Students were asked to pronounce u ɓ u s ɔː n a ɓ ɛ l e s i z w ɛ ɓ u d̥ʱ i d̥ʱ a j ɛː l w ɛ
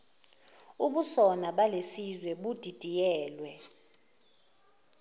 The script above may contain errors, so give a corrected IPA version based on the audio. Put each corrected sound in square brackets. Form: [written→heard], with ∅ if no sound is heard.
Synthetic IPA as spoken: u ɓ u s [ɔː→ɔ] n a ɓ [ɛ→a] l e s i z w ɛ ɓ u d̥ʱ i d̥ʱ [a→i] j ɛː l w ɛ